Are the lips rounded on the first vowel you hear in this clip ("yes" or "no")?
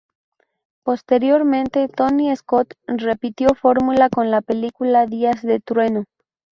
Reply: yes